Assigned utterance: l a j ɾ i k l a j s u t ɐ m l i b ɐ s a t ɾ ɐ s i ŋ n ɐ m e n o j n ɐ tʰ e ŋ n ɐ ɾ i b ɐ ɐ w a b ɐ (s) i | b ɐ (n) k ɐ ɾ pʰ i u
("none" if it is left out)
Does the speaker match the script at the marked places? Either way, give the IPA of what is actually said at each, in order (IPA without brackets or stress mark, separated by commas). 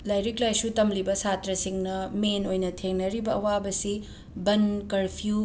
s, n